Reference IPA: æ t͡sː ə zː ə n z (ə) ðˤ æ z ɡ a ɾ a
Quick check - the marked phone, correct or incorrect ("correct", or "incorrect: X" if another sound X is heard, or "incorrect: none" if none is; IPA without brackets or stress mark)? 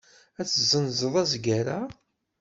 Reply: correct